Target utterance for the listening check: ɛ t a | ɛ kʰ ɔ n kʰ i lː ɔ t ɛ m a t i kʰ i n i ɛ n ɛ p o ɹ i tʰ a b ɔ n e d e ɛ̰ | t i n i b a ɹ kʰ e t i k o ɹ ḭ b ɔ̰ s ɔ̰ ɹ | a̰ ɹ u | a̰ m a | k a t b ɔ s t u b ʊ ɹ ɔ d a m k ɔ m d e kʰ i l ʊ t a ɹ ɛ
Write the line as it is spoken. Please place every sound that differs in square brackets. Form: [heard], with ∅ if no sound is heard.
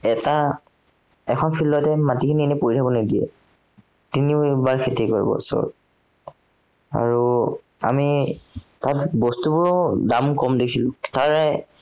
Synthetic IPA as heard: ɛ t a | ɛ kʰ ɔ n [pʰ] i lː ɔ t ɛ m a t i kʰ i n i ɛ n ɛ p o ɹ i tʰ a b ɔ n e d [i] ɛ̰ | t i n i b a ɹ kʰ e t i k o ɹ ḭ b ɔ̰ s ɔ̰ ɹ | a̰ ɹ u | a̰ m [i] | [t] a t b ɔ s t u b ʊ ɹ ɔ d a m k ɔ m d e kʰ i l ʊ t a ɹ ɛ